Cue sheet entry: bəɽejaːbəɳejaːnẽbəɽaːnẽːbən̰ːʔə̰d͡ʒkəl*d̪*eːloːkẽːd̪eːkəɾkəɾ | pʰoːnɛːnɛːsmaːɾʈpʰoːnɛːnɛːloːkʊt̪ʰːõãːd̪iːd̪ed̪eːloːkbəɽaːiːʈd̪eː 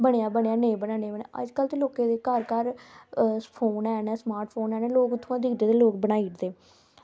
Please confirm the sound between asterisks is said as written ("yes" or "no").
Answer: no